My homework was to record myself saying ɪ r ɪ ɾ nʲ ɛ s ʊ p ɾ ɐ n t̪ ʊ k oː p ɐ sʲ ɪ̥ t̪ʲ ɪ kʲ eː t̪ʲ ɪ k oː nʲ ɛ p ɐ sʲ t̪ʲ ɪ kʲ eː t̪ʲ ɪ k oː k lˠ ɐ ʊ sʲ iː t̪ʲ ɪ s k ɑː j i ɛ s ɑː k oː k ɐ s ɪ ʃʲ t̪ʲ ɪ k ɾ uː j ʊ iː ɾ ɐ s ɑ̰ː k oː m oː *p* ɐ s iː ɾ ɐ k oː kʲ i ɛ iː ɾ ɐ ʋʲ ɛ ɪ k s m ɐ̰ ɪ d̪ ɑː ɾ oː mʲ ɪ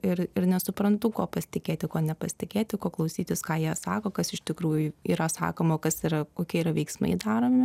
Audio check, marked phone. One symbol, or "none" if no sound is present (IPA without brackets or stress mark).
k